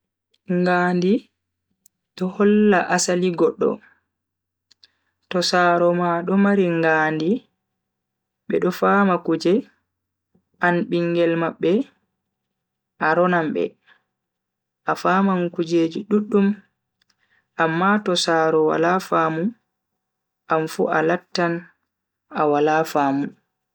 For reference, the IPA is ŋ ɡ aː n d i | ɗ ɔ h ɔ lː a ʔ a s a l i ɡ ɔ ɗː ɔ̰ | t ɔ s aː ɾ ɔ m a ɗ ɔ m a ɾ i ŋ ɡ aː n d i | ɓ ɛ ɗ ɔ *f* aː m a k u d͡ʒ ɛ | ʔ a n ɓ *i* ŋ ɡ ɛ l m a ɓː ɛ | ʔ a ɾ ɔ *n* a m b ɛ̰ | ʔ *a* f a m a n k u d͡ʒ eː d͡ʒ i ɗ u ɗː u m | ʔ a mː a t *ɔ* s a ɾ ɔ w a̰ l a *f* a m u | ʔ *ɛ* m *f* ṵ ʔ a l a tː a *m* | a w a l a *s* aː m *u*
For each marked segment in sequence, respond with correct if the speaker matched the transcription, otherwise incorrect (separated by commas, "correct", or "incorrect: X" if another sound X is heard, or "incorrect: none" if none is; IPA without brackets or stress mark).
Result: correct, correct, correct, correct, correct, correct, incorrect: a, correct, incorrect: n, incorrect: f, correct